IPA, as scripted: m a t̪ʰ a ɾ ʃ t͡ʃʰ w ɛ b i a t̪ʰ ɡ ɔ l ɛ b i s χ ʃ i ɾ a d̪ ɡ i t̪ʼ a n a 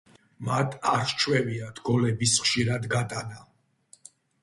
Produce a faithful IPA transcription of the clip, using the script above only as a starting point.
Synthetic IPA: m a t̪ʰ a ɾ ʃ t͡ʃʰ w ɛ v i a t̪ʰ ɡ ɔ l ɛ b i s χ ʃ i ɾ a d̪ ɡ a t̪ʼ a n a